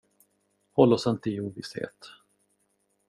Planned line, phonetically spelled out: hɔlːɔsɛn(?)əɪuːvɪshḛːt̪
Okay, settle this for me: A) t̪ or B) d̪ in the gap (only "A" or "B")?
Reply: A